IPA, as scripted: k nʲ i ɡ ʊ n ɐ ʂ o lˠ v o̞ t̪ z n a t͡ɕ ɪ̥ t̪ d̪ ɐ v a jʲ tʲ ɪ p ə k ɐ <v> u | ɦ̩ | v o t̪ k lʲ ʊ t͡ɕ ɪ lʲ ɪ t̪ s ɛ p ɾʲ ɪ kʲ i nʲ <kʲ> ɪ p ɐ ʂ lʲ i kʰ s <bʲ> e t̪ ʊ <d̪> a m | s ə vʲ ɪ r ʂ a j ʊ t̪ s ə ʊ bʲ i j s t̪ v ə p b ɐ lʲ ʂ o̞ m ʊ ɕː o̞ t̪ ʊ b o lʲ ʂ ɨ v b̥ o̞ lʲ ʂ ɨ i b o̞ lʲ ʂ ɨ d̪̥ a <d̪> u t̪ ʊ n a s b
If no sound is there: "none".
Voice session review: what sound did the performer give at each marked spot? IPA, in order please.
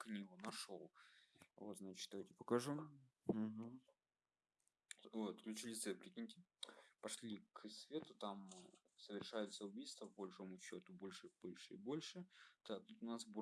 ʐ, tʲ, vʲ, t̪, t̪

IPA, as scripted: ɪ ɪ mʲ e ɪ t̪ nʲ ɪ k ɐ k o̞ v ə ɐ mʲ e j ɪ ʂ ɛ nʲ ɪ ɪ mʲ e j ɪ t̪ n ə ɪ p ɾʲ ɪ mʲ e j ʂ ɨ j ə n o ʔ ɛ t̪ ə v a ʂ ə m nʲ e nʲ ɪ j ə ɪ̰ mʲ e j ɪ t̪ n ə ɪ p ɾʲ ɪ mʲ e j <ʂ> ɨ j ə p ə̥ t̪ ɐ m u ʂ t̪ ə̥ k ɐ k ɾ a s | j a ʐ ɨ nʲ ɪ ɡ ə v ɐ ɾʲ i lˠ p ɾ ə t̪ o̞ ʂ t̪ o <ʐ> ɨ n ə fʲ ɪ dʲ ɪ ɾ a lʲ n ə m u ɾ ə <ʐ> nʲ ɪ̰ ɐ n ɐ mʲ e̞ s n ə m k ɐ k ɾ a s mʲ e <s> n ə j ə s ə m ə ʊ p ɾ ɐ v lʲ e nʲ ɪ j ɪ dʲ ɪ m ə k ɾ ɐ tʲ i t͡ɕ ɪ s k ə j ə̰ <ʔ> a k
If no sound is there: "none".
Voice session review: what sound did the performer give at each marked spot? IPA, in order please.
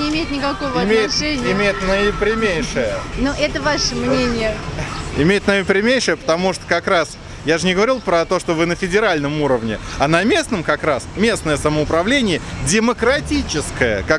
ʂ, v, v, s, k

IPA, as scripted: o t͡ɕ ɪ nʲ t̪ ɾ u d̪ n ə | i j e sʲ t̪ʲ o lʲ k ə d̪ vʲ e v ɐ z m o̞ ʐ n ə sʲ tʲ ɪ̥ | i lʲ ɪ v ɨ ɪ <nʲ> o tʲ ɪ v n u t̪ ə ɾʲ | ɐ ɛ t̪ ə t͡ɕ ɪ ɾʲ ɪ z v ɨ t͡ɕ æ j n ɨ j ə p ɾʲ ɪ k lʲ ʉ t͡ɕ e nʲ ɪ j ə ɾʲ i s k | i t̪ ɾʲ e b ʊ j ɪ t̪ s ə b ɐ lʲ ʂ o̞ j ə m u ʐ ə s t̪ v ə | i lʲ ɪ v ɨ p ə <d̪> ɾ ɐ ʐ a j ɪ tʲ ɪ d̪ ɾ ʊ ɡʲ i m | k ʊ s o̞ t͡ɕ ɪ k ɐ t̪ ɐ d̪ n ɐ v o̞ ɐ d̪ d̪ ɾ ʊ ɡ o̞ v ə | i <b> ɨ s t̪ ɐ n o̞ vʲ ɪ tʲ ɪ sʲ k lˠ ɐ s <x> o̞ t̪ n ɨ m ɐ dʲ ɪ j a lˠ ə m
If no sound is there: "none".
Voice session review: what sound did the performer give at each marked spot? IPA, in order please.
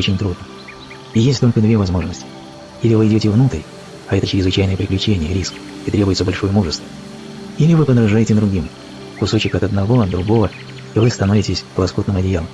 dʲ, d̪, v, k

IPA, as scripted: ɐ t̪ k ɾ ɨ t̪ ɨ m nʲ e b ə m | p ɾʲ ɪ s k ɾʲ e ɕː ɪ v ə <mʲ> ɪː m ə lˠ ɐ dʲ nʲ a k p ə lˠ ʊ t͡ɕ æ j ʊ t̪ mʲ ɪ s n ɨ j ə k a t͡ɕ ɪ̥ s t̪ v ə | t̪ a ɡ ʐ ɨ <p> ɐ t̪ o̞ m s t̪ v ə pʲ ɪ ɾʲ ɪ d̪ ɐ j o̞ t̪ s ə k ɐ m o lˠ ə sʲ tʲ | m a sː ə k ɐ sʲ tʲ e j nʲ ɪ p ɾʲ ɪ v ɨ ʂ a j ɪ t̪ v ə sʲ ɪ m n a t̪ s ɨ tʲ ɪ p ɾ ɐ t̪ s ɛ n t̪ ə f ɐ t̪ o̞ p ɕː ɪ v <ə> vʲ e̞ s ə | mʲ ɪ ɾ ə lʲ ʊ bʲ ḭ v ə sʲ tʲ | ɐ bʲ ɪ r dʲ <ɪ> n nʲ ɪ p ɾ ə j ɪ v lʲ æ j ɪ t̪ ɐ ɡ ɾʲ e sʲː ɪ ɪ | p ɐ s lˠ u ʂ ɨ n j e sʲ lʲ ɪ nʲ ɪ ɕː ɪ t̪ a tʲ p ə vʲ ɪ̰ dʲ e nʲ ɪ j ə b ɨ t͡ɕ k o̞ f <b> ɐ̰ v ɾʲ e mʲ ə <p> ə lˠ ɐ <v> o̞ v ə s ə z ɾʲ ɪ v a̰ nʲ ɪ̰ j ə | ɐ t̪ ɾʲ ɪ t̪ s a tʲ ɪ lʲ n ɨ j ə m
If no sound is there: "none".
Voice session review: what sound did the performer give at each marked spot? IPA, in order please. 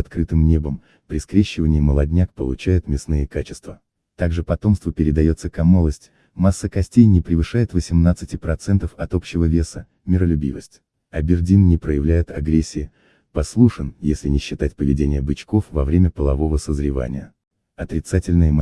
nʲ, p, ə, i, v, p, v

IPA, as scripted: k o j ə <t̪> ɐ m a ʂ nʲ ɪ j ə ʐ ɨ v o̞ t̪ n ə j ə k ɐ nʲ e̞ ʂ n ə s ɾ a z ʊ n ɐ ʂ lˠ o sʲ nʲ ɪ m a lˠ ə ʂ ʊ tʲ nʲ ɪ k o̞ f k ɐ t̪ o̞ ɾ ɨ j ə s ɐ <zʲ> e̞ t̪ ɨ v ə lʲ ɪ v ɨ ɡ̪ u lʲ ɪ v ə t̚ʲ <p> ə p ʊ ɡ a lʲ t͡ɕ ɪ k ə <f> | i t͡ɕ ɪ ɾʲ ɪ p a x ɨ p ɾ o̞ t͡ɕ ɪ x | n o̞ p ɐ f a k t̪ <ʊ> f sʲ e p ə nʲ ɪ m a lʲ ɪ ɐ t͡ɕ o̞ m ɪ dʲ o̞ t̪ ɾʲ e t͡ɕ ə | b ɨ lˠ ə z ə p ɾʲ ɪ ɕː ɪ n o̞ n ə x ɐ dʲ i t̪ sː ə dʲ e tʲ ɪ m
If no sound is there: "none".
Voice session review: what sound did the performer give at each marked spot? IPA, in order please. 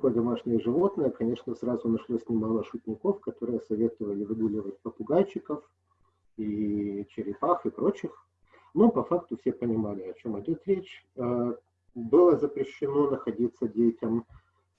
d̪, vʲ, p, f, ʊ

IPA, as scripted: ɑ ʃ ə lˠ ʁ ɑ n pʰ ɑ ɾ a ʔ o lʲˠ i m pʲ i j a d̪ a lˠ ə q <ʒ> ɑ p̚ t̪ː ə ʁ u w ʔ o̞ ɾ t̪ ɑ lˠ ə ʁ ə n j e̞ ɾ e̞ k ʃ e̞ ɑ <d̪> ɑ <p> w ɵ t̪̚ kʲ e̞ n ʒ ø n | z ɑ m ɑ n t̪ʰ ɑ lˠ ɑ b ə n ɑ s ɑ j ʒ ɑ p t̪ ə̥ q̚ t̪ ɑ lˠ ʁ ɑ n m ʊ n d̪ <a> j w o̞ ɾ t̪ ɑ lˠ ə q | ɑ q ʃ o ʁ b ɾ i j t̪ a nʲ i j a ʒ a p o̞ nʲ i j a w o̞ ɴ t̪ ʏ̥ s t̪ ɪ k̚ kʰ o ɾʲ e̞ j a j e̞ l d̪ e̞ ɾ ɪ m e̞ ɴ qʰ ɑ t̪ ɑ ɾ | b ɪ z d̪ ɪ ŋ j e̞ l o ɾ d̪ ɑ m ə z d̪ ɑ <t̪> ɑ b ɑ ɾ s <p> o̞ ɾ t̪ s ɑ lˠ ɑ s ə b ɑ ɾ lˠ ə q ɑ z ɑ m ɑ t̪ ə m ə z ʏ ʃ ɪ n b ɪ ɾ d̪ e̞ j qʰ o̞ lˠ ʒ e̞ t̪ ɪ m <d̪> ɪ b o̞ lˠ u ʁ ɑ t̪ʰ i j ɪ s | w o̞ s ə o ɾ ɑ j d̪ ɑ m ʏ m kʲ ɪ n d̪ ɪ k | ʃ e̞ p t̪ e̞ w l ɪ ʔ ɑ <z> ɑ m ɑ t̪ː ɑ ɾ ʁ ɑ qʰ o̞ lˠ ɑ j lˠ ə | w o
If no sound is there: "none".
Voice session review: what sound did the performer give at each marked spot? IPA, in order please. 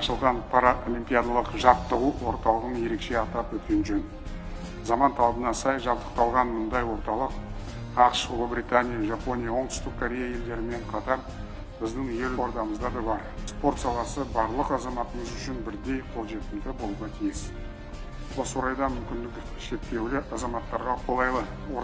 ʒ, t̪, p, ɑ, d̪, p, d̪, z

